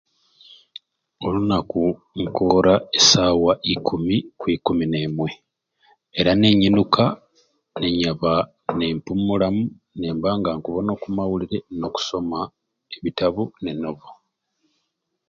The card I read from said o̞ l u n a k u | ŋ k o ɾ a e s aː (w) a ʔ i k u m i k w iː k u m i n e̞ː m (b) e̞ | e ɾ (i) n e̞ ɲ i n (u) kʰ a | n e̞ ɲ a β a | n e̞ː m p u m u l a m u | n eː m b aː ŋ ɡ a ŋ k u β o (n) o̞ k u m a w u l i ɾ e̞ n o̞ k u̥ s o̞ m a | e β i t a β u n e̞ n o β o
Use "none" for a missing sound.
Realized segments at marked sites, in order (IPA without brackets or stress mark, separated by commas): w, w, a, u, n